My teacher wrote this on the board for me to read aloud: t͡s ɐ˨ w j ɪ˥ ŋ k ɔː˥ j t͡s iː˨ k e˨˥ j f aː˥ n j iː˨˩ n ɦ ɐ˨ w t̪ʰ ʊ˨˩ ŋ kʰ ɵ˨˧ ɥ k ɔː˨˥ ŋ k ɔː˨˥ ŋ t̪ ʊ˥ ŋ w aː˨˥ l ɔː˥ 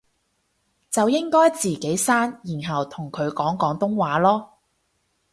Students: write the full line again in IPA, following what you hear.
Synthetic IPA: t͡s ɐ˨ w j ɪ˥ ŋ k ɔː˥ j t͡s iː˨ k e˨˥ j s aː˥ n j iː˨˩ n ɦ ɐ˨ w t̪ʰ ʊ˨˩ ŋ kʰ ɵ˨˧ ɥ k ɔː˨˥ ŋ k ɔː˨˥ ŋ t̪ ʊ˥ ŋ w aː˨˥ l ɔː˥